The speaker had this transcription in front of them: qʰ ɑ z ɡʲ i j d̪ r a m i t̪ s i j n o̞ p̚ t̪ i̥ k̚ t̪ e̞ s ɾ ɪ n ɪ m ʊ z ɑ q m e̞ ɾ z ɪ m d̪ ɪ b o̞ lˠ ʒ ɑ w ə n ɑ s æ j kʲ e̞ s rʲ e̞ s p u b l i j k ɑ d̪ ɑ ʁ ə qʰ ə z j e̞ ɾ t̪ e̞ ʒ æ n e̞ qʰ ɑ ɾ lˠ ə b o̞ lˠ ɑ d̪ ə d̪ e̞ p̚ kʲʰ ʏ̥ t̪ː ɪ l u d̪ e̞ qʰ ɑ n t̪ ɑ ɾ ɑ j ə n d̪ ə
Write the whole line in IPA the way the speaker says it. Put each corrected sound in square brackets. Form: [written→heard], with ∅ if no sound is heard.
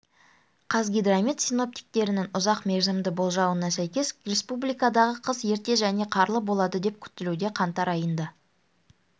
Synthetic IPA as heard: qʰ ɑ z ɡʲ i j d̪ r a m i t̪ s i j n o̞ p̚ t̪ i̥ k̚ t̪ e̞ [s→∅] ɾ ɪ n ɪ [m→ŋ] ʊ z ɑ q m e̞ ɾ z ɪ m d̪ ɪ b o̞ lˠ ʒ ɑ w ə n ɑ s æ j kʲ e̞ s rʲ e̞ s p u b l i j k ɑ d̪ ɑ ʁ ə qʰ ə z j e̞ ɾ t̪ e̞ ʒ æ n e̞ qʰ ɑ ɾ lˠ ə b o̞ lˠ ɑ d̪ ə d̪ e̞ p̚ kʲʰ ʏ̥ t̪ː ɪ l u d̪ e̞ qʰ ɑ n t̪ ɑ ɾ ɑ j ə n d̪ ə